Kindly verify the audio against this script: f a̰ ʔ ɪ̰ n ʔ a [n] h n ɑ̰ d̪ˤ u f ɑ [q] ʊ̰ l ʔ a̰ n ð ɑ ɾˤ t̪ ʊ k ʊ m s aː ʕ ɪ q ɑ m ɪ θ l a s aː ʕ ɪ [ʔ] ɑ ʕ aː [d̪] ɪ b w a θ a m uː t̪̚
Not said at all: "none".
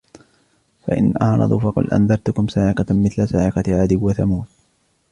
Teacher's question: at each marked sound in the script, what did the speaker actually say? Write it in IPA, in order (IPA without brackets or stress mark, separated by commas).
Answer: none, q, q, d̪